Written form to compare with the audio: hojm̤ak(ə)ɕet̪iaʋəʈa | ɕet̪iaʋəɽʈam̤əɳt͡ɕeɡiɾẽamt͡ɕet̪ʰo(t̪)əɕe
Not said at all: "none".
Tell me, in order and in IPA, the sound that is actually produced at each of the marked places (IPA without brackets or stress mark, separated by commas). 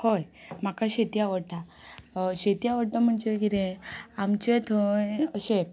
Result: a, none